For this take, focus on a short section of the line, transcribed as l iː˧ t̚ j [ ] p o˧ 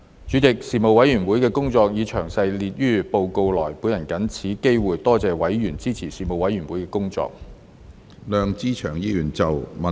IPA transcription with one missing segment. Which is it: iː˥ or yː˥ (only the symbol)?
yː˥